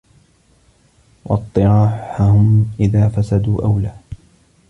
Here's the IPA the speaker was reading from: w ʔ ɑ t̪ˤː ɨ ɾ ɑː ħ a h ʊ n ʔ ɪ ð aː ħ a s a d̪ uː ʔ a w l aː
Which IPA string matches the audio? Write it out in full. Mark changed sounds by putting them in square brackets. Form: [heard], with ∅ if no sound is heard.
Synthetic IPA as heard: w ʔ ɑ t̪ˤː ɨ ɾ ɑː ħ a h ʊ [m] ʔ ɪ ð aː [f] a s a d̪ uː ʔ a w l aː